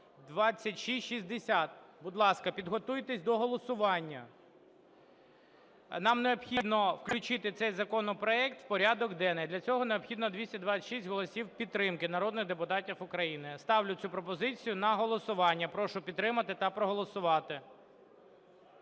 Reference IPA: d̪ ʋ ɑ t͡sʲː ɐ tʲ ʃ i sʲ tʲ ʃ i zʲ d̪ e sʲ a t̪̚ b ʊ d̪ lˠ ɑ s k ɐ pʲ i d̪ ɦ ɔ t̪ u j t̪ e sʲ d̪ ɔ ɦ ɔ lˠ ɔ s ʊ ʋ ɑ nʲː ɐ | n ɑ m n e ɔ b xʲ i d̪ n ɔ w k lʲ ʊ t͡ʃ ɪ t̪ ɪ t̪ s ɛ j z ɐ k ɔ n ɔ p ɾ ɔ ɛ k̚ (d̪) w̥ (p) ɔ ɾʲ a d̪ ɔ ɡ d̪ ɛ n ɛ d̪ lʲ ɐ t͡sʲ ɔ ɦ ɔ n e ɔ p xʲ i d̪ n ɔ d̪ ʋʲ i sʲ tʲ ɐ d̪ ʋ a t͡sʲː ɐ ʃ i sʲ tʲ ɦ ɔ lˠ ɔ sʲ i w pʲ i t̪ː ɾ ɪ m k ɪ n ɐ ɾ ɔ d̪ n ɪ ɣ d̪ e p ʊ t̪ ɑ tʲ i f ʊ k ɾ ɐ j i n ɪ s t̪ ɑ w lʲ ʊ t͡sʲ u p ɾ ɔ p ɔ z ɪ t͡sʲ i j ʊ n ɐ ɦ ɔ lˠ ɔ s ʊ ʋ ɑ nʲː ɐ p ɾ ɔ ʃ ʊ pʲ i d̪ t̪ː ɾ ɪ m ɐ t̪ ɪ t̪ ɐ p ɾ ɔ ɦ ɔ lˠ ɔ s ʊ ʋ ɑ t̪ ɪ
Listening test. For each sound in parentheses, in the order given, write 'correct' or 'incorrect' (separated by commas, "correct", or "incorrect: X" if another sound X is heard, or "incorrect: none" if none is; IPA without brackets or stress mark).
incorrect: t̪, correct